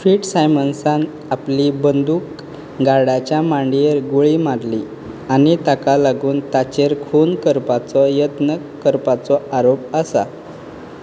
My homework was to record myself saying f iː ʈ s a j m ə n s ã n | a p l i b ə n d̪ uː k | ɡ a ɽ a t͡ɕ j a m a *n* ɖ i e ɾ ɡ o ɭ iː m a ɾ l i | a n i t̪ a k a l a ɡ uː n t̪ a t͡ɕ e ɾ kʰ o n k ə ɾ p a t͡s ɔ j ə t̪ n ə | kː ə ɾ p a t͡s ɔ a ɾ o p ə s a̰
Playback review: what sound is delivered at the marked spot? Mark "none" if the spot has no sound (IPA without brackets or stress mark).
ɳ